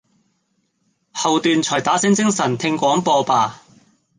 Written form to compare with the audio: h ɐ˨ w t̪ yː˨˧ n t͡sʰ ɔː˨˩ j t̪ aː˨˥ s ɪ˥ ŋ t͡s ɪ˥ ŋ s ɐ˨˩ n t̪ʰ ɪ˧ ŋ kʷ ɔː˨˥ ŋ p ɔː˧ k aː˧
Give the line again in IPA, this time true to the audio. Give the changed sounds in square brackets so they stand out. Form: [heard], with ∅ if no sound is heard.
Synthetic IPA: h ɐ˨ w t̪ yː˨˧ n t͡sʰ ɔː˨˩ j t̪ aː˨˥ s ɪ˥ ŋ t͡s ɪ˥ ŋ s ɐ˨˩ n t̪ʰ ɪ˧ ŋ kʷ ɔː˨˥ ŋ p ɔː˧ [p] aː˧